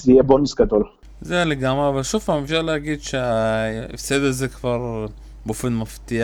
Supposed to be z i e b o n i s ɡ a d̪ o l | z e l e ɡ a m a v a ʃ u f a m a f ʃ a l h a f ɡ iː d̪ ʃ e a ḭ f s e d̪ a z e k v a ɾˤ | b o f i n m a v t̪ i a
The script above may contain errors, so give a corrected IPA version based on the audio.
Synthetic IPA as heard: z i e b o n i s ɡ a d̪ o l | z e l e ɡ a m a v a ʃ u f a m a f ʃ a l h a ɡ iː d̪ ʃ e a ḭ f s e d̪ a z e k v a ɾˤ | b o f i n m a f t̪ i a